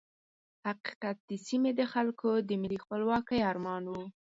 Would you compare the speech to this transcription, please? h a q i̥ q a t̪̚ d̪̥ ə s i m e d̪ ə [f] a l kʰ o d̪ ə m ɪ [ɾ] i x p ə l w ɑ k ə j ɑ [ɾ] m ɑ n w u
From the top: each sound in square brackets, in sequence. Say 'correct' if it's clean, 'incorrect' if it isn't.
incorrect, incorrect, correct

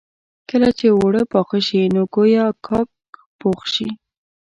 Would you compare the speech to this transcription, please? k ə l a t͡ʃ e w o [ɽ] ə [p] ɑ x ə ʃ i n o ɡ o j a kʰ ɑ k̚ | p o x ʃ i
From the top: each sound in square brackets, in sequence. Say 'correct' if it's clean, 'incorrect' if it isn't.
correct, correct

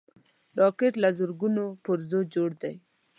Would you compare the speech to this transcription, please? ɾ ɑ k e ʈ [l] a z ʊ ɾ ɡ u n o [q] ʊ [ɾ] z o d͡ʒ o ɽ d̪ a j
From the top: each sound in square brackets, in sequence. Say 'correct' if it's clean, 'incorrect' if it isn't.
correct, incorrect, correct

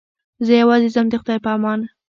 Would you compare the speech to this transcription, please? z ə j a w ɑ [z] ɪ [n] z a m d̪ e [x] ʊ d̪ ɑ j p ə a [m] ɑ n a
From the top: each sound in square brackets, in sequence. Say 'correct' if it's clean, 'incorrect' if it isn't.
correct, incorrect, correct, correct

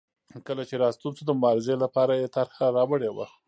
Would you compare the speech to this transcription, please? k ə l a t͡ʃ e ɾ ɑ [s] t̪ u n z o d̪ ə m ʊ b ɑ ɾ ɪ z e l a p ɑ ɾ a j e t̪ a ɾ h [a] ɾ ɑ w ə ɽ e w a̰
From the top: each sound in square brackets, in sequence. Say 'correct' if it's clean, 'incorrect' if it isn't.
correct, correct

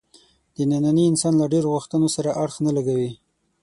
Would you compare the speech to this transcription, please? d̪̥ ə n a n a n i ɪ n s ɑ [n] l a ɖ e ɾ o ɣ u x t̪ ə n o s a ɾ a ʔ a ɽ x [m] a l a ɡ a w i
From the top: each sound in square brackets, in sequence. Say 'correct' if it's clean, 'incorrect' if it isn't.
correct, incorrect

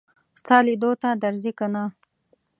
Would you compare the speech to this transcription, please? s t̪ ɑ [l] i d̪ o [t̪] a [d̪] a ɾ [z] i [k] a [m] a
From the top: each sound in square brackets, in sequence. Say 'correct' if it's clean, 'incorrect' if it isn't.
correct, correct, correct, correct, correct, incorrect

